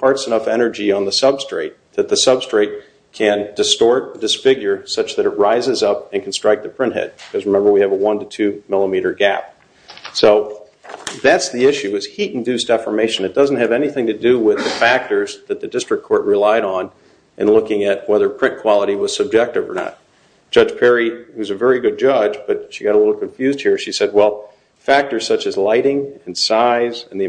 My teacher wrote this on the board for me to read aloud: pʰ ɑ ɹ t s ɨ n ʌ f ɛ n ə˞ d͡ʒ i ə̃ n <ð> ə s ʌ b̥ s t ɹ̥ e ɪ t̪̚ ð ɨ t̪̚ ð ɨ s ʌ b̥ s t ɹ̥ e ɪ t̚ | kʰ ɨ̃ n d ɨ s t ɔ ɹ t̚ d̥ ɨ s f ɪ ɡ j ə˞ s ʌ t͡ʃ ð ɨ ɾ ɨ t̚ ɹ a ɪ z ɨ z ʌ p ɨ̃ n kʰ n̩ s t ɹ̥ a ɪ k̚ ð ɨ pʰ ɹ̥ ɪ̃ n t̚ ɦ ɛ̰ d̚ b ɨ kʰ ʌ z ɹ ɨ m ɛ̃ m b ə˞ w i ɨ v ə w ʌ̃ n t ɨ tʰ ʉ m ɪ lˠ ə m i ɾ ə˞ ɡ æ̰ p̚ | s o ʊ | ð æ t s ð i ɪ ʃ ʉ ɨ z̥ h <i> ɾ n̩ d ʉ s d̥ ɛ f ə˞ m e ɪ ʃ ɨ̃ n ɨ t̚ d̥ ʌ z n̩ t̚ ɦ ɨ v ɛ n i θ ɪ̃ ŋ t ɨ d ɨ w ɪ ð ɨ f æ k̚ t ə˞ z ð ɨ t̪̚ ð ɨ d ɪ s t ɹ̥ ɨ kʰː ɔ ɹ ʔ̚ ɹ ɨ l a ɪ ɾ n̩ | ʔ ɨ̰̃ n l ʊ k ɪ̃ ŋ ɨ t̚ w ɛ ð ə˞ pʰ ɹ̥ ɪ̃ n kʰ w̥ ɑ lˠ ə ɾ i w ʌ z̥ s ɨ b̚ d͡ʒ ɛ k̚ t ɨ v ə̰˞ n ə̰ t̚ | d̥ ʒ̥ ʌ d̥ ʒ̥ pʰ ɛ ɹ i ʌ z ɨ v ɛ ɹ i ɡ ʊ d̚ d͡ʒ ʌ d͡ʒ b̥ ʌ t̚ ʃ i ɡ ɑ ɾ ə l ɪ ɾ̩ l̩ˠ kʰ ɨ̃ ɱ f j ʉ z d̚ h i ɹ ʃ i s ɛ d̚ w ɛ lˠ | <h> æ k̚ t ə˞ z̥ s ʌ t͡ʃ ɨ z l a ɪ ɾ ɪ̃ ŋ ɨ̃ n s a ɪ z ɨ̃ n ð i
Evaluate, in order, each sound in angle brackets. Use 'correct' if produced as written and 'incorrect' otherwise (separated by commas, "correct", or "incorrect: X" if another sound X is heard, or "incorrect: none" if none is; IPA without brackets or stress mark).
correct, correct, incorrect: f